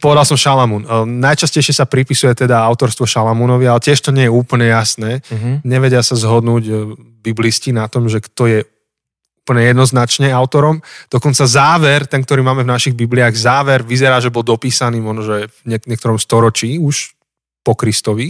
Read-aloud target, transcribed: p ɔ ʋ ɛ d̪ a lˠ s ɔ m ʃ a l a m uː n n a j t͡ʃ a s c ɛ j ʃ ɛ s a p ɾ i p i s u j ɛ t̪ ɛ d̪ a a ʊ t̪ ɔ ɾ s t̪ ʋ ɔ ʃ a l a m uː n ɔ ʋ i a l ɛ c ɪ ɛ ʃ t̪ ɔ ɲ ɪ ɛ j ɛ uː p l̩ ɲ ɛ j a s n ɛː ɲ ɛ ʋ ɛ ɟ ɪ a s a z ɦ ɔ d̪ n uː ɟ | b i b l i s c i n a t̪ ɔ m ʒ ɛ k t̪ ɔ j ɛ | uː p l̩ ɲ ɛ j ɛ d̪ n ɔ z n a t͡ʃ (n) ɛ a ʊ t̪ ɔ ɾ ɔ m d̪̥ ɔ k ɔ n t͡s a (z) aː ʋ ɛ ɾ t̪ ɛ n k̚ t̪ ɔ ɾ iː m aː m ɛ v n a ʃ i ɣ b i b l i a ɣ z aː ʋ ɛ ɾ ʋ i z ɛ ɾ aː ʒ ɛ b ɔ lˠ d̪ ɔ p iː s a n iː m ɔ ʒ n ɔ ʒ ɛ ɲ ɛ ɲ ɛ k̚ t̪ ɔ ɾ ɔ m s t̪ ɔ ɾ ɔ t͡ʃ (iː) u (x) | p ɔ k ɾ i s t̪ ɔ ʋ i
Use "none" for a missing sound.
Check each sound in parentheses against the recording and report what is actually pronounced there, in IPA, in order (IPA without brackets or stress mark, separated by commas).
ɲ, z, iː, ʃ